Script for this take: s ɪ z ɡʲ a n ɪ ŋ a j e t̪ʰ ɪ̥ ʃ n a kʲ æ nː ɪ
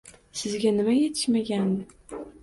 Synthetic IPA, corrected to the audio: s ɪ z ɡʲ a n ɪ m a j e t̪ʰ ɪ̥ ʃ m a ɡʲ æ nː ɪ